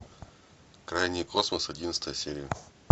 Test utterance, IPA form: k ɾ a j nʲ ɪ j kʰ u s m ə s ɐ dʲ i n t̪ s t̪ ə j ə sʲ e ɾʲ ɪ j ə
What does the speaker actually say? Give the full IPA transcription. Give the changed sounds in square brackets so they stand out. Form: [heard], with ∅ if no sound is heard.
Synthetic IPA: k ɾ a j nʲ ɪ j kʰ [o] s m ə s ɐ dʲ i n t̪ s t̪ ə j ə sʲ e ɾʲ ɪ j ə

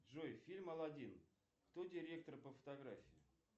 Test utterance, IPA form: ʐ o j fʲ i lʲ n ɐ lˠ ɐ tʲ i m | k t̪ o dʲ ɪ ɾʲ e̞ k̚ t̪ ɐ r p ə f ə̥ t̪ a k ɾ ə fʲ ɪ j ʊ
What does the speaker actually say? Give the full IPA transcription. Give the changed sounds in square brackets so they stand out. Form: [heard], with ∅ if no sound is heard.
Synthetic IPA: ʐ o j fʲ i lʲ [m] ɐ lˠ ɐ [dʲ] i [n] | k t̪ o dʲ ɪ ɾʲ e̞ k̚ t̪ [ə] r p ə f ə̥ t̪ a [ɡ] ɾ [a] fʲ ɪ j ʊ

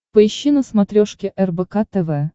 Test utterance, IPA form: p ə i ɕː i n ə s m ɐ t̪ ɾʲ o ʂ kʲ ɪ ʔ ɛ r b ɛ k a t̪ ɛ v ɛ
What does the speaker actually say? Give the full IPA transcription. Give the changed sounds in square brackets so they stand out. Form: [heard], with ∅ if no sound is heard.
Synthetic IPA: p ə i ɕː i n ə s m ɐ t̪ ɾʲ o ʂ kʲ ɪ ʔ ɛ r b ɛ k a t̪ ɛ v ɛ

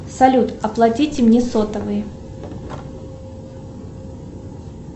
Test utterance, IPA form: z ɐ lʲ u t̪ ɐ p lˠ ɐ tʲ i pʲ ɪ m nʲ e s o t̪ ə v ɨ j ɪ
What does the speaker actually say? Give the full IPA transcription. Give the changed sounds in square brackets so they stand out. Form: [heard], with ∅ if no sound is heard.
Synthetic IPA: [s] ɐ lʲ u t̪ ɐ p lˠ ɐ tʲ i [tʲ] ɪ m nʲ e s o t̪ ə v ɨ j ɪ

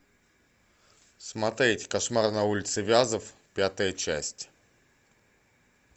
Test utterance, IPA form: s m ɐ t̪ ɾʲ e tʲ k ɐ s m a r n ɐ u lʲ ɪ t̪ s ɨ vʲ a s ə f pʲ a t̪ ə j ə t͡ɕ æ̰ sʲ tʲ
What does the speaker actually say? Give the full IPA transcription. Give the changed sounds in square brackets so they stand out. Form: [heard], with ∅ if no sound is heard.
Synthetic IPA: s m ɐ t̪ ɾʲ e tʲ k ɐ [ʂ] m a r n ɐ u lʲ ɪ t̪ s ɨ vʲ a [z] ə f pʲ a t̪ ə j ə t͡ɕ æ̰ sʲ tʲ

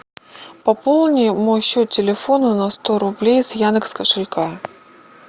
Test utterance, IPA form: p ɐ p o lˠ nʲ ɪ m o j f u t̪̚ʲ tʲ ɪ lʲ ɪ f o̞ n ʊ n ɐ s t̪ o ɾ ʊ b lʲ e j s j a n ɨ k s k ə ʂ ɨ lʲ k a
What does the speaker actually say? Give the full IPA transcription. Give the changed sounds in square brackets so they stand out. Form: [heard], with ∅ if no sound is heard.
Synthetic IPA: p ɐ p o lˠ nʲ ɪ m o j [ɕ] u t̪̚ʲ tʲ ɪ lʲ ɪ f o̞ n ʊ n ɐ s t̪ o ɾ ʊ b lʲ e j s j a n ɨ k s k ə ʂ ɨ lʲ k a

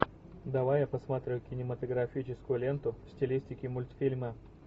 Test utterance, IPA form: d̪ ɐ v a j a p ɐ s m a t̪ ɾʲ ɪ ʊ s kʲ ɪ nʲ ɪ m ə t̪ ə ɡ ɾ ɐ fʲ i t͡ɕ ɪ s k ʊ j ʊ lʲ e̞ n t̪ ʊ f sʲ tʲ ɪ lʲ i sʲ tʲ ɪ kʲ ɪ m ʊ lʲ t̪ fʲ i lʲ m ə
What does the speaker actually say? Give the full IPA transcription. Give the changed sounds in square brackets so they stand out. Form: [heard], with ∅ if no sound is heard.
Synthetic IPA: d̪ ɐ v a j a p ɐ s m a t̪ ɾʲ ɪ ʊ [∅] kʲ ɪ nʲ ɪ m ə t̪ ə ɡ ɾ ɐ fʲ i t͡ɕ ɪ s k ʊ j ʊ lʲ e̞ n t̪ ʊ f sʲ tʲ ɪ lʲ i sʲ tʲ ɪ kʲ ɪ m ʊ lʲ t̪ fʲ i lʲ m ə

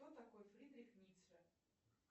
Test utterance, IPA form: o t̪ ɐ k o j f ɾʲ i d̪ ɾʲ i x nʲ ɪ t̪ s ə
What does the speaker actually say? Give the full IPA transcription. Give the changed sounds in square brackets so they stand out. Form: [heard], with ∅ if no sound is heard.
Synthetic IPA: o t̪ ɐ k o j f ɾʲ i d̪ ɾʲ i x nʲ [i] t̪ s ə

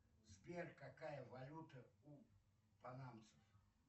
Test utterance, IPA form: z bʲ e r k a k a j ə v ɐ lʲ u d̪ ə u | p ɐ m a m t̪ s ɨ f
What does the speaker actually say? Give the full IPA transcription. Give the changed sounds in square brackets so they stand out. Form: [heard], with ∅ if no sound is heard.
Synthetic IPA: z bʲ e r k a k a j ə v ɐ lʲ u [t̪] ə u | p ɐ [n] a m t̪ s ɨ f

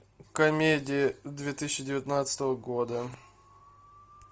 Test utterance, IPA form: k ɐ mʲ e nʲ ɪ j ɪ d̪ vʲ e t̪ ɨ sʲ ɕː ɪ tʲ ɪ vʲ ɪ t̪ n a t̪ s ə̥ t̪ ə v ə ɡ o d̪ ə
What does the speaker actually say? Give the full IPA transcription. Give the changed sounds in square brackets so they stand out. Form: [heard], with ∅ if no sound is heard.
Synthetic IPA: k ɐ mʲ e [dʲ] ɪ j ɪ d̪ vʲ e t̪ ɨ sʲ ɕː ɪ [dʲ] ɪ vʲ ɪ t̪ n a t̪ s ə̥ t̪ ə v ə ɡ o d̪ ə

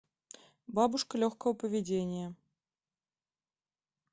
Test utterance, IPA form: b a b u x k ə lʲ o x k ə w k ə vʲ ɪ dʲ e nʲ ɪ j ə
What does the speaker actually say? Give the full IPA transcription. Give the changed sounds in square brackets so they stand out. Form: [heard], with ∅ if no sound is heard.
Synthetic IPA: b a b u [ʂ] k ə lʲ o x k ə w [p] ə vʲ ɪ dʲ e nʲ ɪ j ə

